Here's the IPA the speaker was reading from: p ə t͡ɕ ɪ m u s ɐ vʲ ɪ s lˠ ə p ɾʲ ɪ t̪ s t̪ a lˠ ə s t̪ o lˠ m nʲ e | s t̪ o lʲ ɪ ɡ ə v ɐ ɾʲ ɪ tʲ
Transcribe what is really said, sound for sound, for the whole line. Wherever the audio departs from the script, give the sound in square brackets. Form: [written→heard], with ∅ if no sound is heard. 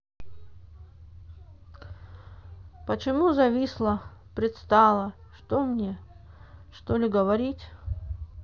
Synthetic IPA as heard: p ə t͡ɕ ɪ m u [s→z] ɐ vʲ [ɪ→i] s lˠ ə p ɾʲ ɪ t̪ s t̪ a lˠ ə [s→ʂ] t̪ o [lˠ→∅] m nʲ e | [s→ʂ] t̪ o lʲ ɪ ɡ ə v ɐ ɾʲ [ɪ→i] tʲ